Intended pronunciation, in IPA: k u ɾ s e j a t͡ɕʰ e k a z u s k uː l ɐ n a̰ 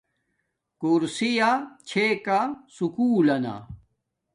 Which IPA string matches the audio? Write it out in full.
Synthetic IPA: k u ɾ s i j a t͡ɕʰ e k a s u k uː l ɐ n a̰